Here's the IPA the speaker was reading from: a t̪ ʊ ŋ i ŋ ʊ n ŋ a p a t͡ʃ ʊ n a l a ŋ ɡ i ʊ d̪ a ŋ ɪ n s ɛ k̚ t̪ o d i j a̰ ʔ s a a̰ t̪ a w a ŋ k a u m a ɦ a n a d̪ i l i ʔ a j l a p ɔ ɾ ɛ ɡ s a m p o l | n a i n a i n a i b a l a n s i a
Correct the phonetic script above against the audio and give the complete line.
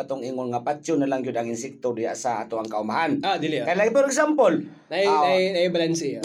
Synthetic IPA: a t̪ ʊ ŋ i ŋ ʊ n ŋ a p a t͡ʃ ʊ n a l a ŋ ɡ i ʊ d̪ a ŋ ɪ n s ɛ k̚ t̪ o d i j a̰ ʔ s a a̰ t̪ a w a ŋ k a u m a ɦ a n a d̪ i l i k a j l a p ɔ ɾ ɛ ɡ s a m p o l | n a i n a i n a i b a l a n s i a